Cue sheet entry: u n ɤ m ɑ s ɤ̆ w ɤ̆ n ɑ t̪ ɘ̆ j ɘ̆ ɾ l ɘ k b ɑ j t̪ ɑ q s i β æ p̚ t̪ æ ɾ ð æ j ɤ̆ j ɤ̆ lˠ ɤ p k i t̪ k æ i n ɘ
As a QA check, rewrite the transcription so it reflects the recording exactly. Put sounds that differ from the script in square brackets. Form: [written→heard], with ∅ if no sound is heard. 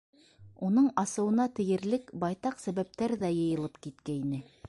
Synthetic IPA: u n ɤ [m→ɴ] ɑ s ɤ̆ w ɤ̆ n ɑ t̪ ɘ̆ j ɘ̆ ɾ l ɘ k b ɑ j t̪ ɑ q s [i→æ] β æ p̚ t̪ æ ɾ ð æ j ɤ̆ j ɤ̆ lˠ ɤ p k i t̪ k æ i n ɘ